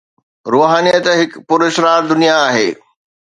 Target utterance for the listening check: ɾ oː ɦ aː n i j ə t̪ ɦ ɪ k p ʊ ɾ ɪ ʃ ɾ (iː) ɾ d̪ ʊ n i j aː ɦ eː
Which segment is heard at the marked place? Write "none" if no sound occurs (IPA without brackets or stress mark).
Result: aː